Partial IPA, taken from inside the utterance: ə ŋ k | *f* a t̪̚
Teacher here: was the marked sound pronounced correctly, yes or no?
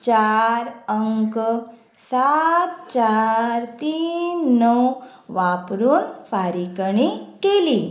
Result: no